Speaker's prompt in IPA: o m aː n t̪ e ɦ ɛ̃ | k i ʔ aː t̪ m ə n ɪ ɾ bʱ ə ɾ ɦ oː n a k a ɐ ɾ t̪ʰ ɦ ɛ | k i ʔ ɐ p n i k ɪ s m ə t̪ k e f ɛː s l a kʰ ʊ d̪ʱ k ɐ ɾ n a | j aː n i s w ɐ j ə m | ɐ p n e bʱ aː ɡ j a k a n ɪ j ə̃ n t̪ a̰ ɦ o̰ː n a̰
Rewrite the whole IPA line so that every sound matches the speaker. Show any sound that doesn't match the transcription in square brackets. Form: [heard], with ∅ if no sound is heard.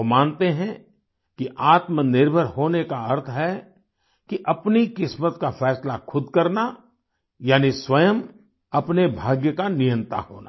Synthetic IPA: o m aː n t̪ e ɦ ɛ̃ | k i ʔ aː t̪ m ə n ɪ ɾ bʱ ə ɾ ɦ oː n [e] k a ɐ ɾ t̪ʰ ɦ ɛ | k i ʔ ɐ p n i k ɪ s m ə t̪ k [a] f ɛː s l a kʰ ʊ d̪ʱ k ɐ ɾ n a | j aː n i s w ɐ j ə m | ɐ p n e bʱ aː ɡ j [ə] k a n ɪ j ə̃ n t̪ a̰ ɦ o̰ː n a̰